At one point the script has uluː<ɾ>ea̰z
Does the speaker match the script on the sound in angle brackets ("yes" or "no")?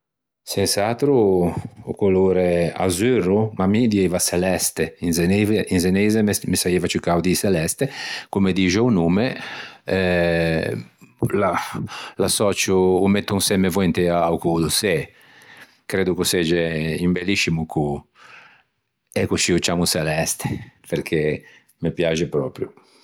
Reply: yes